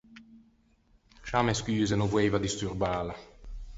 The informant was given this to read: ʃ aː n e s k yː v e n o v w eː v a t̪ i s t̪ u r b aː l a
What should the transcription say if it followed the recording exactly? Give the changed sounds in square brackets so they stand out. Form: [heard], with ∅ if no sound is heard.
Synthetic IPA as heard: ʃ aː [m] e s k yː [z] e n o v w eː v a [d̪] i s t̪ u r b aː l a